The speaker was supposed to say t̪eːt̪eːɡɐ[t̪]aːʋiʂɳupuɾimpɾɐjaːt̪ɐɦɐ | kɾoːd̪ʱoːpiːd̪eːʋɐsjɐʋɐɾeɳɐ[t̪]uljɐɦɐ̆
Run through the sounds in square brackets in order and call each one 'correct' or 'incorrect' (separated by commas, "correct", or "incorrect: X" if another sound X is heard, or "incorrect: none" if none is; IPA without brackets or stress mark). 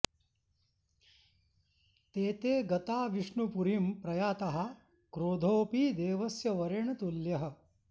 correct, correct